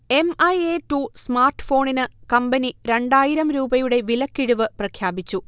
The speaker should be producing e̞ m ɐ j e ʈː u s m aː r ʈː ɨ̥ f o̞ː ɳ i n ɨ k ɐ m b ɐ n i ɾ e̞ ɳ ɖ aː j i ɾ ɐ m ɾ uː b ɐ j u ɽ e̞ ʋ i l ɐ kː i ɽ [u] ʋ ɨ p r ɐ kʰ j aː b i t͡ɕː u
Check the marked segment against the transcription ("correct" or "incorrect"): correct